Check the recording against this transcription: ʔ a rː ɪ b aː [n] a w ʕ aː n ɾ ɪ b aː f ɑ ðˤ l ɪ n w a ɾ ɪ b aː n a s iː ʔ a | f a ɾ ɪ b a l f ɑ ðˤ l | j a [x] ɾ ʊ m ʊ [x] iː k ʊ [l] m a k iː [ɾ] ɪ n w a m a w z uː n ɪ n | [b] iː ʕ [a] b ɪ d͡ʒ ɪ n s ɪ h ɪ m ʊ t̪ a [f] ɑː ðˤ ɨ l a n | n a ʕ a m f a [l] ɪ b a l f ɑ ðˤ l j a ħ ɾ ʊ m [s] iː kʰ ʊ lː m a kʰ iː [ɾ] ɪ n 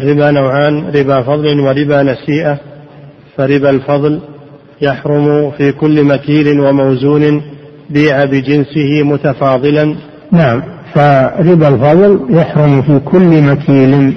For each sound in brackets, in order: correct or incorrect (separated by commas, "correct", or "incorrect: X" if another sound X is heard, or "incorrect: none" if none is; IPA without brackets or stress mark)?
correct, incorrect: ħ, incorrect: f, incorrect: lː, incorrect: l, correct, correct, correct, incorrect: ɾ, incorrect: f, incorrect: l